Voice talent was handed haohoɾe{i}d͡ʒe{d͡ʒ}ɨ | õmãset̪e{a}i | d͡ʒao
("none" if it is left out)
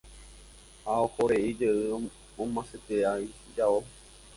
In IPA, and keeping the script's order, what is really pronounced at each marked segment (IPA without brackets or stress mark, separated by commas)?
i, none, a